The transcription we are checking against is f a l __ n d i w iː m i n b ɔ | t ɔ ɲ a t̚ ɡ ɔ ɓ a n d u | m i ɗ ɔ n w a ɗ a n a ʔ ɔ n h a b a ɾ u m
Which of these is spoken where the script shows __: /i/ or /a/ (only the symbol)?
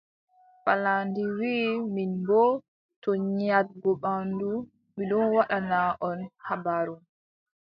a